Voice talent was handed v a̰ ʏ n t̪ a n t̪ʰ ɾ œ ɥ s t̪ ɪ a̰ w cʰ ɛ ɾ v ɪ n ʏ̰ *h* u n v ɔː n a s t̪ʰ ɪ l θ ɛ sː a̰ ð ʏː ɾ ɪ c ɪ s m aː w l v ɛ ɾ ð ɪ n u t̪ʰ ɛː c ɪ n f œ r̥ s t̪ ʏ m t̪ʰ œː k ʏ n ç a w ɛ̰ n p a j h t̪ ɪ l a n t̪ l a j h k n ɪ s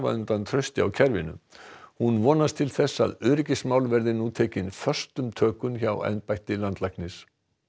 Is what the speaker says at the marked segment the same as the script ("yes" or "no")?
yes